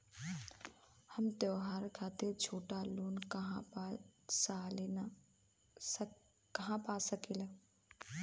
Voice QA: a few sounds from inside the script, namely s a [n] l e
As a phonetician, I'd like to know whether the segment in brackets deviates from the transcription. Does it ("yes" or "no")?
yes